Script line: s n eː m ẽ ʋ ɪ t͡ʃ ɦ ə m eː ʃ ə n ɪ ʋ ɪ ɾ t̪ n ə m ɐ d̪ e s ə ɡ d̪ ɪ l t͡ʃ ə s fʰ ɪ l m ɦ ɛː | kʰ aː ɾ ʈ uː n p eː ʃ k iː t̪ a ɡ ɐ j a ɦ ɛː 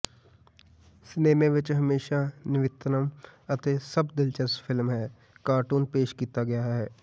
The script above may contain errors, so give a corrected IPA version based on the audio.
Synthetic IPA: s n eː m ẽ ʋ ɪ t͡ʃ ɦ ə m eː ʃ a n ɪ ʋ ɪ t̪ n ə m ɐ t̪ e s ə b d̪ ɪ l t͡ʃ ə s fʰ ɪ l m ɦ ɛː | k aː ɾ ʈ uː n p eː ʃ k iː t̪ a ɡ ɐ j a ɦ ɛː